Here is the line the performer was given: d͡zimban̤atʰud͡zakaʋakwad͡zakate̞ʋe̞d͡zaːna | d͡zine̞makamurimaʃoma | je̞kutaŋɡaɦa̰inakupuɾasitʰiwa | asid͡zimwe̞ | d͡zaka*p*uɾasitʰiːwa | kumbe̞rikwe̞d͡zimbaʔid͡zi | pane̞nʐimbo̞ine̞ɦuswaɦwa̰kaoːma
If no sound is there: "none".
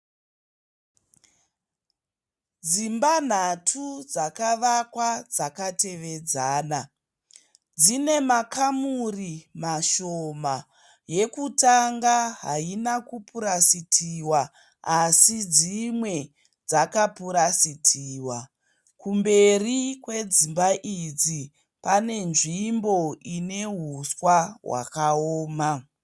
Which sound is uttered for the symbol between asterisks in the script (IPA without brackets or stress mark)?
p